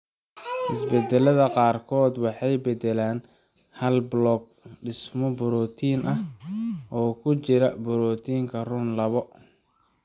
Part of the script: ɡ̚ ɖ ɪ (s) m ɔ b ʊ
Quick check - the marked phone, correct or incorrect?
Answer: correct